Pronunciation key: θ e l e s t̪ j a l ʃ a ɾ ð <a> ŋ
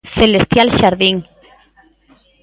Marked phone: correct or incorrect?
incorrect